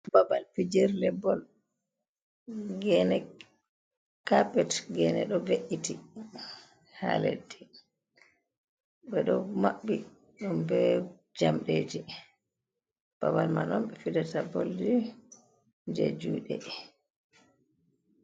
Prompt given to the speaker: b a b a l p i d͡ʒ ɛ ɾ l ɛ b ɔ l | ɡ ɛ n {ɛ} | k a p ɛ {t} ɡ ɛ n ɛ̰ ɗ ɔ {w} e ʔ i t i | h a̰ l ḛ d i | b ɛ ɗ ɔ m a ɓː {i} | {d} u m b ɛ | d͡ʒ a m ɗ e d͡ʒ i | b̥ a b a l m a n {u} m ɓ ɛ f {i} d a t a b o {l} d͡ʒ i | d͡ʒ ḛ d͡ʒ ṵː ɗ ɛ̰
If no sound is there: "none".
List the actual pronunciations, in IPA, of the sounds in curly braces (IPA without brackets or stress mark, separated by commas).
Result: ɛ, t, v, i, ɗ, ɔ, i, l